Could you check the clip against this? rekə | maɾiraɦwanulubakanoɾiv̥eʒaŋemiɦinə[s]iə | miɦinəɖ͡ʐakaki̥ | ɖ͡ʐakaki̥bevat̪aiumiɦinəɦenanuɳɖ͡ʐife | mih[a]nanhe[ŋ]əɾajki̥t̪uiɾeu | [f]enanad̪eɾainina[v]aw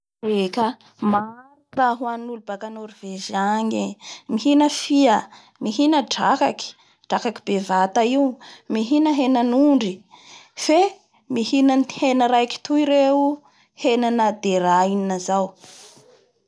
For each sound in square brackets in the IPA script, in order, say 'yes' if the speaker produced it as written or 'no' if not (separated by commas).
no, no, no, no, no